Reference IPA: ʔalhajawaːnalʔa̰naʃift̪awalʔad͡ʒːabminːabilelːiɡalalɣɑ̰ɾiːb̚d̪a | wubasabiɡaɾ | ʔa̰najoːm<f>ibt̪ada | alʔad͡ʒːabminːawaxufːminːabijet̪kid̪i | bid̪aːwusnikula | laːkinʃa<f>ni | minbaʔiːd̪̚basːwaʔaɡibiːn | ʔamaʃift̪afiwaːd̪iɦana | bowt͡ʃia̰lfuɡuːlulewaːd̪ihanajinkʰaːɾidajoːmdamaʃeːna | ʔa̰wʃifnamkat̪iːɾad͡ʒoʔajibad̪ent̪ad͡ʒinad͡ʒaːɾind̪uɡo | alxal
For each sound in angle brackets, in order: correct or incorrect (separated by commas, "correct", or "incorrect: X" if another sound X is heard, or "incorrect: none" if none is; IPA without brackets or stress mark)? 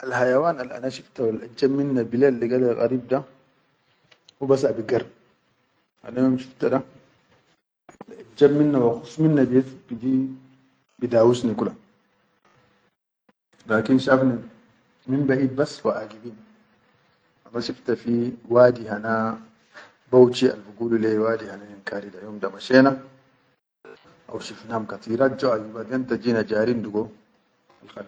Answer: incorrect: ʃ, correct